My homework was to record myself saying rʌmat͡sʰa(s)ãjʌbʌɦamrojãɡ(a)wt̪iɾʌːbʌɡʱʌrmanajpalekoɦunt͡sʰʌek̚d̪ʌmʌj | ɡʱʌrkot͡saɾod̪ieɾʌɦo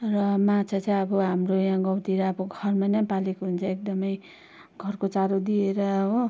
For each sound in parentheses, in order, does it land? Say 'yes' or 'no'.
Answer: no, no

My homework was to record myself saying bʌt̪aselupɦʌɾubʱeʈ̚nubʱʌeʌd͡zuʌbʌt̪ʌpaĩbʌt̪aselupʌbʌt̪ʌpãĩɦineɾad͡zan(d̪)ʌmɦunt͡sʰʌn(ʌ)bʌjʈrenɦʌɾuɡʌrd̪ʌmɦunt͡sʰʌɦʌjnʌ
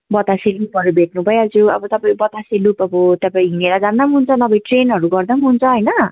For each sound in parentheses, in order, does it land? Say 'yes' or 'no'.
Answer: yes, yes

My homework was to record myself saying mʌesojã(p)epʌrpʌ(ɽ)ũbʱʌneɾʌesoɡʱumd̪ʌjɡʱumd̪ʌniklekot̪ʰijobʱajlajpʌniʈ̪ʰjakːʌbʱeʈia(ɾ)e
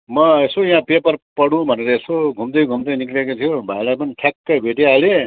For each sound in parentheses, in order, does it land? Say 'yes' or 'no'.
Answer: yes, yes, no

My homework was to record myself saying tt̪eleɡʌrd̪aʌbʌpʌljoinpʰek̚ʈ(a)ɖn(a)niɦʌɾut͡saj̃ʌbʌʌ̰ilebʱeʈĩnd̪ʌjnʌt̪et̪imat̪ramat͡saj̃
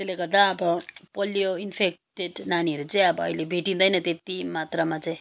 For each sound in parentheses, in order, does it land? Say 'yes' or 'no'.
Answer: no, yes

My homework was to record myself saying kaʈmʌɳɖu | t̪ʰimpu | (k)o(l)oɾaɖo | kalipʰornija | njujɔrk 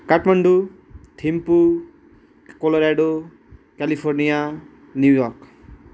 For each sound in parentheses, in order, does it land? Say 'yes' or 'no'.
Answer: yes, yes

